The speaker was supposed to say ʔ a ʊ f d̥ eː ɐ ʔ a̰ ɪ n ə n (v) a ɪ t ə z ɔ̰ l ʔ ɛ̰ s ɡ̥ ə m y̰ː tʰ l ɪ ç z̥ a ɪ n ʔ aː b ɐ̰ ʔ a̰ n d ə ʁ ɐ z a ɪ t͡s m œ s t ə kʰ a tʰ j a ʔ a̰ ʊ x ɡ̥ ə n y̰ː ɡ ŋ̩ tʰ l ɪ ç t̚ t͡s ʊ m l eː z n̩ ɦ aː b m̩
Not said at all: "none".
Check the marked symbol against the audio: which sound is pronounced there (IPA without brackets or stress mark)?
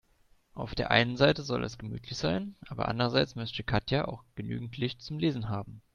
z